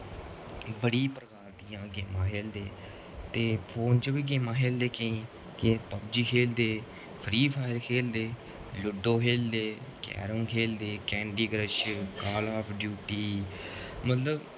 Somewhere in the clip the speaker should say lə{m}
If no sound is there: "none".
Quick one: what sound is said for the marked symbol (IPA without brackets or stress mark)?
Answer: b